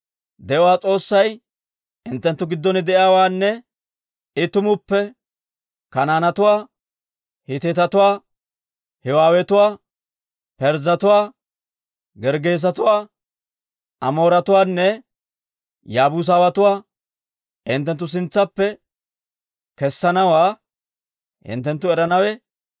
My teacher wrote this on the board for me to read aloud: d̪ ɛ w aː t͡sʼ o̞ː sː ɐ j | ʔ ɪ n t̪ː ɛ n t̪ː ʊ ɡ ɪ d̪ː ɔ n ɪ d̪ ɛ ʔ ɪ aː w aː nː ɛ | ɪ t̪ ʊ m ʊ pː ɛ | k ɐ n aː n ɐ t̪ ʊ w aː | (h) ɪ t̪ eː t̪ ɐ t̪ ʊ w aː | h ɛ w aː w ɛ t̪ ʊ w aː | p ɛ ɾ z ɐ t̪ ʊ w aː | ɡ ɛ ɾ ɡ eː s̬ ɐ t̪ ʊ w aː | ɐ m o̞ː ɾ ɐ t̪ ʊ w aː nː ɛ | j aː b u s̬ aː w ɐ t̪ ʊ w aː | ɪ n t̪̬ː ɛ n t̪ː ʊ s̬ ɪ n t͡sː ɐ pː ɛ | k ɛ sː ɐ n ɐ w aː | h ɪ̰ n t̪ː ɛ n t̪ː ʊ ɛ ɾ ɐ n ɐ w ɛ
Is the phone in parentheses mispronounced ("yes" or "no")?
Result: no